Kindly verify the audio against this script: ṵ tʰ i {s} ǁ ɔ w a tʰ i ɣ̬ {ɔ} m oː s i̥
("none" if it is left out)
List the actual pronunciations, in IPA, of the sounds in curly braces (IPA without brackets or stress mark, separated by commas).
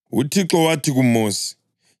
none, u